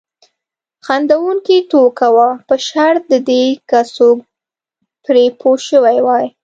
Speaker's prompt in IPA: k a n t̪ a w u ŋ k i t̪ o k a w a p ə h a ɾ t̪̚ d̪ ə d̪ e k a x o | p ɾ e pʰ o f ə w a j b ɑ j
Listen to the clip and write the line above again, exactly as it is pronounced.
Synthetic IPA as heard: x a n d̪ a w u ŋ k i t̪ o k a w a p ə ʃ a ɾ t̪̚ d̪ ə d̪ e k a s o | p ɾ e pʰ o ʃ ə w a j w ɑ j